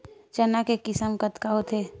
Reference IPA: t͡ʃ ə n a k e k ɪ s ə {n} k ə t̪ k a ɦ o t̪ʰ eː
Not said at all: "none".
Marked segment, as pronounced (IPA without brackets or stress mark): m